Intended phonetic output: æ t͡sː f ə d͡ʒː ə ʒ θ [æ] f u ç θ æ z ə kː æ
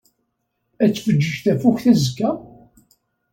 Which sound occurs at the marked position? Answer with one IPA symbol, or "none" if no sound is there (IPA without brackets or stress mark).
æ